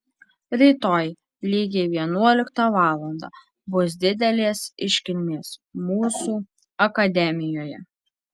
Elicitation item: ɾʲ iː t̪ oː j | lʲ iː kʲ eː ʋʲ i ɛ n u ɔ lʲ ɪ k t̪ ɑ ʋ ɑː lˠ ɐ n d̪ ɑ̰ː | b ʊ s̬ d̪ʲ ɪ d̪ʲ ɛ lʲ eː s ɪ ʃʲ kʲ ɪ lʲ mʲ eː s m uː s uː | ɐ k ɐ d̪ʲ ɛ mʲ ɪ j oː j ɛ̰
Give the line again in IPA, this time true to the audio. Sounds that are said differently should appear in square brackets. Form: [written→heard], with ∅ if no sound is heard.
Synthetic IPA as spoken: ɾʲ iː t̪ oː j | lʲ iː [kʲ→ɡʲ] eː ʋʲ i ɛ n u ɔ lʲ ɪ k t̪ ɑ ʋ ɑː lˠ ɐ n d̪ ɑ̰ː | b ʊ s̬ d̪ʲ ɪ d̪ʲ ɛ lʲ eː s ɪ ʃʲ kʲ ɪ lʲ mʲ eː s m uː s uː | ɐ k ɐ d̪ʲ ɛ mʲ ɪ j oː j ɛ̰